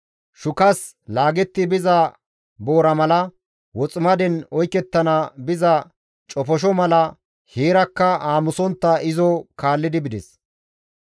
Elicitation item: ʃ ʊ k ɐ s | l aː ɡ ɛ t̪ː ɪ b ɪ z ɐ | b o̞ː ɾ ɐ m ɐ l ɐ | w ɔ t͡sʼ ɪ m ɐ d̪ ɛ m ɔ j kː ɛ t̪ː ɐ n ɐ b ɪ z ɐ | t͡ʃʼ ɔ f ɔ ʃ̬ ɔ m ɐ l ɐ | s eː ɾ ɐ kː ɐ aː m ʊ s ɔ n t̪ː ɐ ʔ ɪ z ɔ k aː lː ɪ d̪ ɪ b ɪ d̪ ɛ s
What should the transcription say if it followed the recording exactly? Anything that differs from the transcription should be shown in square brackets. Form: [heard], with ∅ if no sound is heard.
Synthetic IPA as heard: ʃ ʊ k ɐ s | l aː ɡ ɛ t̪ː ɪ b ɪ z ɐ | b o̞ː ɾ ɐ m ɐ l ɐ | w ɔ t͡sʼ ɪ m ɐ d̪ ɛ [n] ɔ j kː ɛ t̪ː ɐ n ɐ b ɪ z ɐ | t͡ʃʼ ɔ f ɔ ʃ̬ ɔ m ɐ l ɐ | [h] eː ɾ ɐ kː ɐ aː m ʊ s ɔ n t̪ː ɐ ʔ ɪ z ɔ k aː lː ɪ d̪ ɪ b ɪ d̪ ɛ s